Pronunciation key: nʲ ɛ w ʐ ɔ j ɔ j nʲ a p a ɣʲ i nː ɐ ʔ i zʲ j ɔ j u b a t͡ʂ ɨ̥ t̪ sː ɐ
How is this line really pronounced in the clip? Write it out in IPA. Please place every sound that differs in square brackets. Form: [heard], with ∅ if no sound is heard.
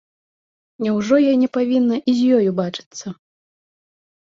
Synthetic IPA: nʲ ɛ w ʐ ɔ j ɔ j nʲ [ɛ] p a [vʲ] i nː ɐ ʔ i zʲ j ɔ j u b a t͡ʂ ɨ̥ t̪ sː ɐ